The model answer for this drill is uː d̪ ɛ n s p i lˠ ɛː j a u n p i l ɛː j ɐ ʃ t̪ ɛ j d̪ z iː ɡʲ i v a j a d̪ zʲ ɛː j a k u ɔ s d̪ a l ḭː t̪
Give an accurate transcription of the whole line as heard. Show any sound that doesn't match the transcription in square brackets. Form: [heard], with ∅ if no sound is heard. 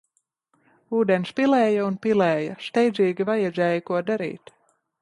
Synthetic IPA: uː d̪ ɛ n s p i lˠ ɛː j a u n p i l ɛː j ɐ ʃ t̪ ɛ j d̪ z iː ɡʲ i v a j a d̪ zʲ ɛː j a k u ɔ [∅] d̪ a [ɾ] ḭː t̪